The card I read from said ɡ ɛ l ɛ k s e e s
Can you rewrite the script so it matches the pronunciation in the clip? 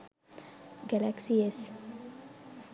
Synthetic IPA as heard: ɡ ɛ l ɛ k s i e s